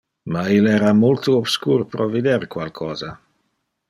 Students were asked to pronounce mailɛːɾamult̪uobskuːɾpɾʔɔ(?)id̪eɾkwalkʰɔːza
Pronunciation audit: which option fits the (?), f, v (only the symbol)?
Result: v